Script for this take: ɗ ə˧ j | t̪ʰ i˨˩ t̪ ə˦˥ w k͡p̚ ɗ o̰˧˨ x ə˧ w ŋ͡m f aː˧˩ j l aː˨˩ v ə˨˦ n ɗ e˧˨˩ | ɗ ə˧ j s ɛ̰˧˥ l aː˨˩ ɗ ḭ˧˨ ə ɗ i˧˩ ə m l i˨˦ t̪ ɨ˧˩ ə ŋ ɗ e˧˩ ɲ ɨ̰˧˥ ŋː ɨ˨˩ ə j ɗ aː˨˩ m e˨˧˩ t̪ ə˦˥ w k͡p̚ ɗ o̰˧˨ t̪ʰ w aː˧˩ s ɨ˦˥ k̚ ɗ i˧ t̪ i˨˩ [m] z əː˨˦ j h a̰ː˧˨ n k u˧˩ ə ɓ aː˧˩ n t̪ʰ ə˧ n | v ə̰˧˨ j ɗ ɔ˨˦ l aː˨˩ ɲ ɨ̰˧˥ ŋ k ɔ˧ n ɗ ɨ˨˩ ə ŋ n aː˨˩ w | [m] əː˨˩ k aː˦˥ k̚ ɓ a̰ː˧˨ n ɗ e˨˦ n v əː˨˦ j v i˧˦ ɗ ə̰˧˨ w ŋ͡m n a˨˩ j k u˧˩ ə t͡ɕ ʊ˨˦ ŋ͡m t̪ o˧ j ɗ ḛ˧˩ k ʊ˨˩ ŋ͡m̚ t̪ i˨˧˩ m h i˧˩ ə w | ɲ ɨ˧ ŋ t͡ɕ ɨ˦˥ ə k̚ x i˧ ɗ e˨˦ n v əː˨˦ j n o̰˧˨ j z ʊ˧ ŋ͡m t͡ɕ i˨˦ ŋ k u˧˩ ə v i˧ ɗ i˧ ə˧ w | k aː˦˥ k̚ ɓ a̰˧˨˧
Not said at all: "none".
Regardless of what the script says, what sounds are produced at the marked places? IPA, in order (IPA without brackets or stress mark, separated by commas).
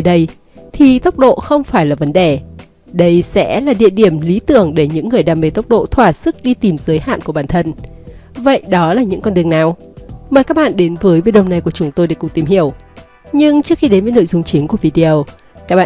m, m